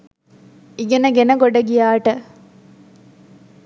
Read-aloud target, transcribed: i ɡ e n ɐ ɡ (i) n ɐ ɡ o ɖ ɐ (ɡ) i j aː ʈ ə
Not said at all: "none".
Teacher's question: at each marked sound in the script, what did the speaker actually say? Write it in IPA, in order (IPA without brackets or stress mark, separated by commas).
e, ɡ